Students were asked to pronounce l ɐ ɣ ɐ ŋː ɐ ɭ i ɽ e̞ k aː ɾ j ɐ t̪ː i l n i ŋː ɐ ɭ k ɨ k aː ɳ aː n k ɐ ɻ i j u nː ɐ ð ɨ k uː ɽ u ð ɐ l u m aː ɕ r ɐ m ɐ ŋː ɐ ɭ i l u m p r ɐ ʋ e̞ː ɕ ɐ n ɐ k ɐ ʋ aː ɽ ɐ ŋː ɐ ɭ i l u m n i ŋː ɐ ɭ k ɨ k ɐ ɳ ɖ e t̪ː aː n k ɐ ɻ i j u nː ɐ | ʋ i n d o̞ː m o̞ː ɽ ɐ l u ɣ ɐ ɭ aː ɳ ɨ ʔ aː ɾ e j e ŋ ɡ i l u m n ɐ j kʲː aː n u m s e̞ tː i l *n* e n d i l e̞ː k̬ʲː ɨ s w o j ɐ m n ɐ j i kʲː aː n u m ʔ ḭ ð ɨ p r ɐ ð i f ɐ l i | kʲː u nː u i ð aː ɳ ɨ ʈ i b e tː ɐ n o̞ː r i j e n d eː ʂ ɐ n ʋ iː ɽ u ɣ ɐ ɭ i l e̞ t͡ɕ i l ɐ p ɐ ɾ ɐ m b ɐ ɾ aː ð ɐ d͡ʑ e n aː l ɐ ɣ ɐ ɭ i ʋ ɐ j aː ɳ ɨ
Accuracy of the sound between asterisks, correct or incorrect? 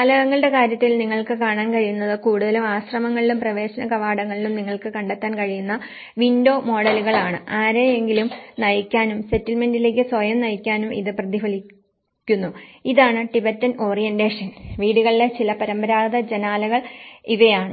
incorrect